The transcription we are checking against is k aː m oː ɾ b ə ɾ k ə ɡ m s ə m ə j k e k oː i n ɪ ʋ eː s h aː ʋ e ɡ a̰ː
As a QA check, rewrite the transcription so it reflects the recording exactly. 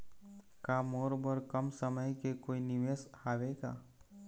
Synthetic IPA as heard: k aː m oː ɾ b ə ɾ k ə m s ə m ə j k e k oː i n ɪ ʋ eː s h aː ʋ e ɡ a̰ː